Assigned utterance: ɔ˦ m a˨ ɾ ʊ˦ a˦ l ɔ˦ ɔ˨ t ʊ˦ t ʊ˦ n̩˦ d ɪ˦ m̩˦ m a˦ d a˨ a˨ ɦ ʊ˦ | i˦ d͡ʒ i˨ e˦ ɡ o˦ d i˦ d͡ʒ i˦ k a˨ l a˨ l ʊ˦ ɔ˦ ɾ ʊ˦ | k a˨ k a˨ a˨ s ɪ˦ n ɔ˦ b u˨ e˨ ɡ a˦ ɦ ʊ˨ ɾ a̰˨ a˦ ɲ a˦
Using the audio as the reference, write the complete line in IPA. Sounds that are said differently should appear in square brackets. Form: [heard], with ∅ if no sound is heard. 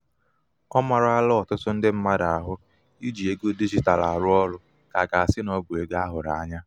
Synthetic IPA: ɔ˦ m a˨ ɾ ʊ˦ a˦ l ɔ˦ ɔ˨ t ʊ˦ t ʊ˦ n̩˦ d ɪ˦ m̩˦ m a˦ d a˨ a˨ ɦ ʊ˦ | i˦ d͡ʒ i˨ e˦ ɡ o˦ d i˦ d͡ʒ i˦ [t] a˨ l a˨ [ɾ] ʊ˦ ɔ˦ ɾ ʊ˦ | k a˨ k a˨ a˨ s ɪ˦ n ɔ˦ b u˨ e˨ ɡ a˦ ɦ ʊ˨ ɾ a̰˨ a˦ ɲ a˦

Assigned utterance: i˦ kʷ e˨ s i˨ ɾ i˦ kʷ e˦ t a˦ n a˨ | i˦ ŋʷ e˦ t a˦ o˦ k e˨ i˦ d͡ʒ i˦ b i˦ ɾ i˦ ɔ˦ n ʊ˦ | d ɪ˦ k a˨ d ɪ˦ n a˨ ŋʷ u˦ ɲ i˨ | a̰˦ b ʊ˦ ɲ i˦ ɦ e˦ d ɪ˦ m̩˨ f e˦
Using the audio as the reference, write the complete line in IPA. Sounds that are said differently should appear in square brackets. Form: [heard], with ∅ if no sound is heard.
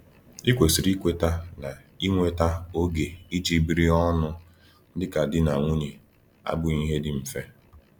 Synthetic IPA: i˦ kʷ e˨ s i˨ ɾ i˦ kʷ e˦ t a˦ n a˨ | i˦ ŋʷ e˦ t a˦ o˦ [ɡ] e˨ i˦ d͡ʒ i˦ b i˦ ɾ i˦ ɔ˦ n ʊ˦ | d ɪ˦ k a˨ d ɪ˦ n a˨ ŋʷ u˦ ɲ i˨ | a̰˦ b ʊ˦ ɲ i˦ ɦ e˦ d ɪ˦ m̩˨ f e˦

